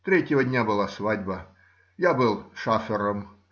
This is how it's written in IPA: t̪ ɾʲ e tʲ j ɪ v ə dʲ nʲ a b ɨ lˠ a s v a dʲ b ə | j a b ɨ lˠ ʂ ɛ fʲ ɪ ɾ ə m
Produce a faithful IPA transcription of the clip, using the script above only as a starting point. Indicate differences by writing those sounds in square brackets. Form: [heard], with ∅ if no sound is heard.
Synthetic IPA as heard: t̪ ɾʲ e tʲ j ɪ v ə dʲ nʲ a b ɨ lˠ a s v a dʲ b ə | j a b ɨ lˠ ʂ [a] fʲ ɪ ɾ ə m

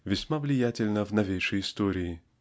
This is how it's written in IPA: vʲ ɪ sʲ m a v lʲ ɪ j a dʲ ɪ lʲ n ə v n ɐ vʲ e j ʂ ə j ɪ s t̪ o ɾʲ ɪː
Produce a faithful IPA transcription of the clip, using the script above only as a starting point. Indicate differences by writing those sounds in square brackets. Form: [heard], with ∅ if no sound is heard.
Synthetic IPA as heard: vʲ ɪ sʲ m a v lʲ ɪ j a [tʲ] ɪ lʲ n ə v n ɐ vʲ e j ʂ ə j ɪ s t̪ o ɾʲ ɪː

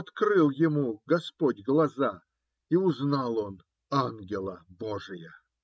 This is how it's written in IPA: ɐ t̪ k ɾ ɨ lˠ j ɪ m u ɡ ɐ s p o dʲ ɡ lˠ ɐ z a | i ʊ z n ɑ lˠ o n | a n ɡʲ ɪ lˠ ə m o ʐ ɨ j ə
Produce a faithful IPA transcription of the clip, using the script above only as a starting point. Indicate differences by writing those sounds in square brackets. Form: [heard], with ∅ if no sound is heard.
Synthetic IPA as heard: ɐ t̪ k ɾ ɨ lˠ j ɪ m u ɡ ɐ s p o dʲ ɡ lˠ ɐ z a | i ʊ z n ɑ lˠ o n | a n ɡʲ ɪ lˠ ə [b] o ʐ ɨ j ə

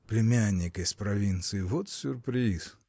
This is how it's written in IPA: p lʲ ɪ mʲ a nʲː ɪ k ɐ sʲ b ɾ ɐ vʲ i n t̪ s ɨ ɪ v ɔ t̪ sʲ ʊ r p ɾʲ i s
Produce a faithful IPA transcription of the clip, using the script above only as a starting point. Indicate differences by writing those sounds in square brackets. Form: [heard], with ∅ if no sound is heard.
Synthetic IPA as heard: p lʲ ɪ mʲ a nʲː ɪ k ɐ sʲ [p] ɾ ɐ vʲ i n t̪ s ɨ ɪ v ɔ t̪ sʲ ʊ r p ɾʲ i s

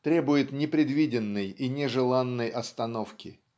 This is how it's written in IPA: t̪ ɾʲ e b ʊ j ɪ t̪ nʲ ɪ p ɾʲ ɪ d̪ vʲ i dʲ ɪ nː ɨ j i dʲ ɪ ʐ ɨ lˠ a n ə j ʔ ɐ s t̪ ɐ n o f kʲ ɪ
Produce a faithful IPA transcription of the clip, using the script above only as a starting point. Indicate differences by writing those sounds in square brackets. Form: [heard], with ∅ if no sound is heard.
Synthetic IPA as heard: t̪ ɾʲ e b ʊ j ɪ t̪ nʲ ɪ p ɾʲ ɪ d̪ vʲ i dʲ ɪ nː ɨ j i [nʲ] ɪ ʐ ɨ lˠ a [nː] ə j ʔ ɐ s t̪ ɐ n o f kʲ ɪ

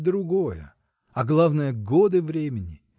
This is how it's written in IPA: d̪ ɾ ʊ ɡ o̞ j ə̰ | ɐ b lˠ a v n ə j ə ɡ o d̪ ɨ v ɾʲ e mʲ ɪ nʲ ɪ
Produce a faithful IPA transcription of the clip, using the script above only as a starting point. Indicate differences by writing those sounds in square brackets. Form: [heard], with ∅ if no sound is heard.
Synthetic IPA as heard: d̪ ɾ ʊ ɡ o̞ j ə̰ | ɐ [ɡ] lˠ a v n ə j ə ɡ o d̪ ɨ v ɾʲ e mʲ ɪ nʲ ɪ

